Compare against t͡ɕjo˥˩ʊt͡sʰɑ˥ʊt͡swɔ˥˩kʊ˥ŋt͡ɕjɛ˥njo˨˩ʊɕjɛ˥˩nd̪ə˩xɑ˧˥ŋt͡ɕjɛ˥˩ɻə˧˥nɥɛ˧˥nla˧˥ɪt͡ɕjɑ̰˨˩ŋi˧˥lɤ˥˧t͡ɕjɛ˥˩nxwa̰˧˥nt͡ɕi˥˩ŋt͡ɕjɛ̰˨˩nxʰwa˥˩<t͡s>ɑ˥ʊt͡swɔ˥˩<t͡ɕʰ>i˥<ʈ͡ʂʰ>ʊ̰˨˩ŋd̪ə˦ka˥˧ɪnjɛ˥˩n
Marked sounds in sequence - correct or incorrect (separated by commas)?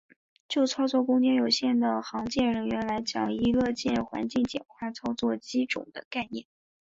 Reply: incorrect, incorrect, incorrect